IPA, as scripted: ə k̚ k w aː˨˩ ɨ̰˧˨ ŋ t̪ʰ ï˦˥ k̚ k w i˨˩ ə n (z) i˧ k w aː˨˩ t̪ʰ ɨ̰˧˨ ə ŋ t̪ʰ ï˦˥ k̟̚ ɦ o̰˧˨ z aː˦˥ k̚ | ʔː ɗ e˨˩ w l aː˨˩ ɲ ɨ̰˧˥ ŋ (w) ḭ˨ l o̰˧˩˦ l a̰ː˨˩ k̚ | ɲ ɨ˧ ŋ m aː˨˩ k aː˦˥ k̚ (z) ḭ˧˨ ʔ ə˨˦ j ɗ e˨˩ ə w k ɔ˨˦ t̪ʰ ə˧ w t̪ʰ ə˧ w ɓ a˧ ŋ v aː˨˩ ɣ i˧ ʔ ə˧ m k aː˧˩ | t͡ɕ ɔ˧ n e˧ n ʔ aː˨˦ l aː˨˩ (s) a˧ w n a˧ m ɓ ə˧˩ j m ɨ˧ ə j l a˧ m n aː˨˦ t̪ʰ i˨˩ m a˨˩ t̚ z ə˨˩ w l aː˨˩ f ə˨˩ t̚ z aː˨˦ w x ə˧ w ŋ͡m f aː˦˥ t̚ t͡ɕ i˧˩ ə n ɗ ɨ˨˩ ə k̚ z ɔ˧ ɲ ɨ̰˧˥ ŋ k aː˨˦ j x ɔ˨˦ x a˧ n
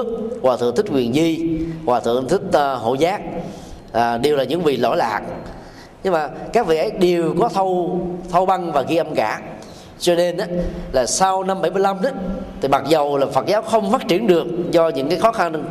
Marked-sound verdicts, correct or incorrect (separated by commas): correct, incorrect, incorrect, correct